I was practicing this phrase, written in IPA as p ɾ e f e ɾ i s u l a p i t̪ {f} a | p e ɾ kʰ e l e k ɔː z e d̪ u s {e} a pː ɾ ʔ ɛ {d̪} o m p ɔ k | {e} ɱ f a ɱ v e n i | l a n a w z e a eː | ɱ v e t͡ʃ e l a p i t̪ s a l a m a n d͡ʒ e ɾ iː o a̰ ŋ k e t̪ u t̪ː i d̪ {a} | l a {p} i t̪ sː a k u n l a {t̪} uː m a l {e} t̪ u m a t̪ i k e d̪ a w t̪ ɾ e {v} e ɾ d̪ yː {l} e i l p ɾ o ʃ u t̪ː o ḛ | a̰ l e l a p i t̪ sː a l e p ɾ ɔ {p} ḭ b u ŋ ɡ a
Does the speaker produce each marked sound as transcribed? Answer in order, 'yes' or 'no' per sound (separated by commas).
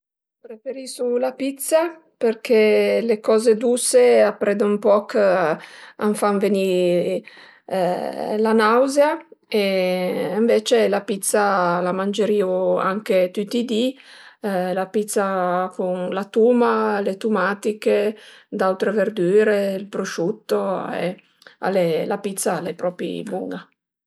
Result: no, yes, yes, no, no, yes, yes, yes, yes, no, yes